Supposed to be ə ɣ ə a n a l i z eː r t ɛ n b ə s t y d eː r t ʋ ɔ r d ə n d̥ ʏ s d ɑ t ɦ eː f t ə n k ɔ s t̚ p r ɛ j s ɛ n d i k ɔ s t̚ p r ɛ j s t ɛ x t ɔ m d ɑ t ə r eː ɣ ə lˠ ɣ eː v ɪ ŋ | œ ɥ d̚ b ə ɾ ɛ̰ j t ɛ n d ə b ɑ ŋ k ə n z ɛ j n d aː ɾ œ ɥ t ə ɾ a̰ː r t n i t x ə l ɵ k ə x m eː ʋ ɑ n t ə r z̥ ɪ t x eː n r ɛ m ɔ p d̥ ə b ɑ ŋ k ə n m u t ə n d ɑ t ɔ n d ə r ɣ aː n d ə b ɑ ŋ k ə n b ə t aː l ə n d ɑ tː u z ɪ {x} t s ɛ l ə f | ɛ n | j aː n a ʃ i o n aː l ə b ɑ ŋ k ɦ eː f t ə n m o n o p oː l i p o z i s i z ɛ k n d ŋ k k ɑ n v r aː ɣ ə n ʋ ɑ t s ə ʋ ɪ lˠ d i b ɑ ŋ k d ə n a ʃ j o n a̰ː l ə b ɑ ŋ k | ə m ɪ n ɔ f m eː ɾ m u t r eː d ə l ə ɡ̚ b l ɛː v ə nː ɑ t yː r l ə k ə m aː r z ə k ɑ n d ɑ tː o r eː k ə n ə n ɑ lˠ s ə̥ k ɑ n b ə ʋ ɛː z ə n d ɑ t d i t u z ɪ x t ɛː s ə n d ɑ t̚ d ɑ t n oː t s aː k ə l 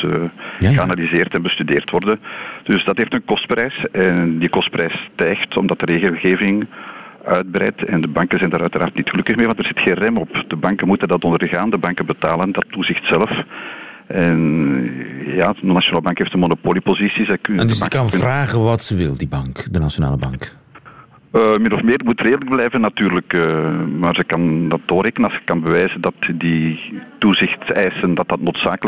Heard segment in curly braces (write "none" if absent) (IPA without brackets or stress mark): x